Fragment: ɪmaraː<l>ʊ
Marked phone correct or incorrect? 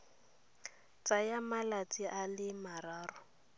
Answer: incorrect